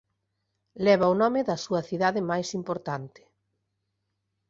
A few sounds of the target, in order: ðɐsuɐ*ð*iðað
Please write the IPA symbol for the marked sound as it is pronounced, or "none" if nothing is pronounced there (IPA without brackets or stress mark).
θ